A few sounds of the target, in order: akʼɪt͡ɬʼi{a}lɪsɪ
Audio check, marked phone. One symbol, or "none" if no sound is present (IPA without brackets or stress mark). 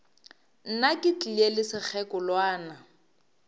e